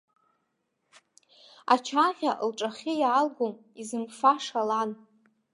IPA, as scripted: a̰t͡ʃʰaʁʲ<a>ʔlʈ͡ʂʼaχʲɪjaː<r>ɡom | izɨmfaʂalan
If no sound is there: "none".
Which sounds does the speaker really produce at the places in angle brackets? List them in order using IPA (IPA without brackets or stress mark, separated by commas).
a, l